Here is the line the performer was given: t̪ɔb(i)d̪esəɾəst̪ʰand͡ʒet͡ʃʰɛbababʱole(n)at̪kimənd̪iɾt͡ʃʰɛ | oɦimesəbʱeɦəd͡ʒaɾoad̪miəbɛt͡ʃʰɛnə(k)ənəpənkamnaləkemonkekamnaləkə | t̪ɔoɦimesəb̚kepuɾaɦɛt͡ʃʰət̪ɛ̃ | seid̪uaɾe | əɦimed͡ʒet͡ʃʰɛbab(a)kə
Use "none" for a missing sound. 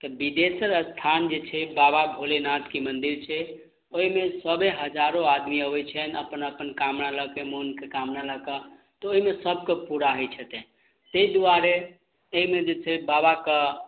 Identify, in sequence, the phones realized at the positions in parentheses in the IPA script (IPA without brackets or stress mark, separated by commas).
i, n, p, a